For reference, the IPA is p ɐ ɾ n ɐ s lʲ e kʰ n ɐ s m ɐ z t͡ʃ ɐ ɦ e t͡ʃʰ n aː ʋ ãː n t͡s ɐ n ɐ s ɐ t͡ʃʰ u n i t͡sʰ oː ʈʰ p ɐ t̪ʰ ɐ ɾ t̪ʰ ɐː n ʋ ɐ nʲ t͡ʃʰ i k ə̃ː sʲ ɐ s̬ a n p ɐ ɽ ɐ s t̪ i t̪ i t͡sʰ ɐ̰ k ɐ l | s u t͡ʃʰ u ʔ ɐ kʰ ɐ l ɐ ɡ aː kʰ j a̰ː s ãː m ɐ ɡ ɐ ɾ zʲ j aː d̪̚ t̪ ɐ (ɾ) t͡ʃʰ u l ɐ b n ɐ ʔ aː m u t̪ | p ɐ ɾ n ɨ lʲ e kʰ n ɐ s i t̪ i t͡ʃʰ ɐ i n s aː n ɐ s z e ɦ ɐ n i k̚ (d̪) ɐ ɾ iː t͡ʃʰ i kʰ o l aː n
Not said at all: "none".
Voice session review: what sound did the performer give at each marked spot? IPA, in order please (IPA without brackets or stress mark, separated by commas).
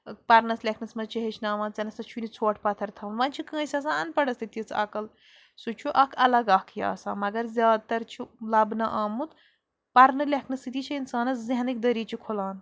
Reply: ɾ, d̪